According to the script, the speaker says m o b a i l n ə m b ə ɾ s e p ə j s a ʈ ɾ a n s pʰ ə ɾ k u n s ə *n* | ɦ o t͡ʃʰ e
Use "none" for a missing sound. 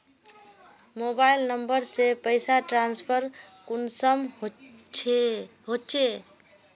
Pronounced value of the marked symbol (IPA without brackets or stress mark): m